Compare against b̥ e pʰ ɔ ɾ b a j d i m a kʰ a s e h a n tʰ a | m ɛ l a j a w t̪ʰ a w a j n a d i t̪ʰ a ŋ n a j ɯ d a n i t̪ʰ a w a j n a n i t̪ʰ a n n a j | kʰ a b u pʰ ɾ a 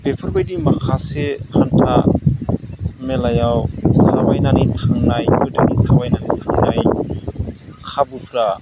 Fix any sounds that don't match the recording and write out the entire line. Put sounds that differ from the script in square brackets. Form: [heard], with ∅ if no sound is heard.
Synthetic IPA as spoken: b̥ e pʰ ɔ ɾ b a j d i m a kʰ a s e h a n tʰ a | m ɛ l a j a w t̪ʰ a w a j n a [n] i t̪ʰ a ŋ n a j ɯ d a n i t̪ʰ a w a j n a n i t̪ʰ a [ŋ] n a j | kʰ a b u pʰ ɾ a